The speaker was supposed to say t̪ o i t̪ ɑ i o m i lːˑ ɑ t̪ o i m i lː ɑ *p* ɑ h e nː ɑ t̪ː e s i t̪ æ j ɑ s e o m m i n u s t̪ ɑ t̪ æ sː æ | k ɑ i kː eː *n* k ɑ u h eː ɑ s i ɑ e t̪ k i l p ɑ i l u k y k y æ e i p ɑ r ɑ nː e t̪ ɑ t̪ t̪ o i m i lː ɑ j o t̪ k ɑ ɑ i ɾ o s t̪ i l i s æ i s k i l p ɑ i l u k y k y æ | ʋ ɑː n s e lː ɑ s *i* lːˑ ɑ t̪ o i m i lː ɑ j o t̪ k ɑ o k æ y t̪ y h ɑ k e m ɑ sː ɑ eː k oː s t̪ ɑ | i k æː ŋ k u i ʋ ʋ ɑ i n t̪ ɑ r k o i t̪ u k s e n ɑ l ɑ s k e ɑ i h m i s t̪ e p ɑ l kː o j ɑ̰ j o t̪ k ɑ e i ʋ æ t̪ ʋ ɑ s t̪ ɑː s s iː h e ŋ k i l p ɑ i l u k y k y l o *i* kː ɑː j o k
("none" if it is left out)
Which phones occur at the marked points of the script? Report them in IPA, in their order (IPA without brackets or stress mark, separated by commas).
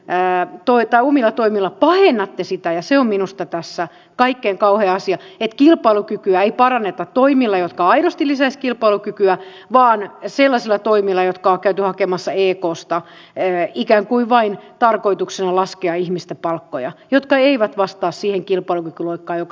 p, ŋ, i, i